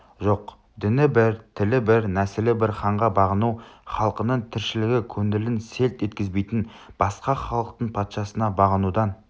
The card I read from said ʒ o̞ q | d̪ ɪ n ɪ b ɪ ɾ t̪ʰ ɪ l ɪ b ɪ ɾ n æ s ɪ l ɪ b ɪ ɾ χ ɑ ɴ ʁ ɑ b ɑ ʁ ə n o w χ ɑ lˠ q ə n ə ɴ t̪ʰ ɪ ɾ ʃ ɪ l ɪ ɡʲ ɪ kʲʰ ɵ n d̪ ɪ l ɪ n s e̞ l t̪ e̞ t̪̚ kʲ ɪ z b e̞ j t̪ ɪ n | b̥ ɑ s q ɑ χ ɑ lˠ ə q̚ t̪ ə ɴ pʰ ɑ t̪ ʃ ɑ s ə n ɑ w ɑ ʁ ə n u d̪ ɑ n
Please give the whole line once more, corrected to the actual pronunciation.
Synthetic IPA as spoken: ʒ o̞ q | d̪ ɪ n ɪ b ɪ ɾ t̪ʰ ɪ l ɪ b ɪ ɾ n æ s ɪ l ɪ b ɪ ɾ χ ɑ ɴ ʁ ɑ b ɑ ʁ ə n u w χ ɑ lˠ q ə n ə ɴ t̪ʰ ɪ ɾ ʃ ɪ l ɪ ɡʲ ɪ kʲʰ ɵ n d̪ ɪ l ɪ n s e̞ l t̪ e̞ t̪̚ kʲ ɪ z b e̞ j t̪ ɪ n | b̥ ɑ s q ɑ χ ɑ lˠ ə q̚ t̪ ə ɴ pʰ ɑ t̪ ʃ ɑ s ə n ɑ b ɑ ʁ ə n u d̪ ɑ n